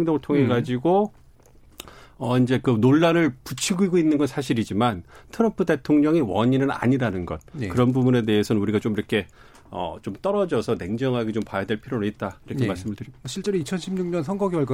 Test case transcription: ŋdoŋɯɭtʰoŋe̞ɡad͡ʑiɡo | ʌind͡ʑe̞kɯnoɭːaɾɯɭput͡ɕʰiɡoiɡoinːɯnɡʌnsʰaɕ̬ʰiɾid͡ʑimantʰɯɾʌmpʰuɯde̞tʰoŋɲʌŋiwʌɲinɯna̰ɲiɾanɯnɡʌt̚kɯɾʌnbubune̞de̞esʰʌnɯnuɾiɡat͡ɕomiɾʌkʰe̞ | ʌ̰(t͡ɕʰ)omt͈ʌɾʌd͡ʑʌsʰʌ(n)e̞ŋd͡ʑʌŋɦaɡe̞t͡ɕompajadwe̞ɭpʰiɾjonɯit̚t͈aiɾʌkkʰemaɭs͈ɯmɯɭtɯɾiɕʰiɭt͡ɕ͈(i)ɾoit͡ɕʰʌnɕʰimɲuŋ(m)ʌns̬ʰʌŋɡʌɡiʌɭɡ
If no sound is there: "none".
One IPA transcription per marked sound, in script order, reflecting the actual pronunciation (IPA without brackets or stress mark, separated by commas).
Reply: t͡ɕ, n, e, ɲ